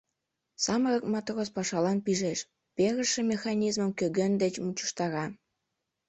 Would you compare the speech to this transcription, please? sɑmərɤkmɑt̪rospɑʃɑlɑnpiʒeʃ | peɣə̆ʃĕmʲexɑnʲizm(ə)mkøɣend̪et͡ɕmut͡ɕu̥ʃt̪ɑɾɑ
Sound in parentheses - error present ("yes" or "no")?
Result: no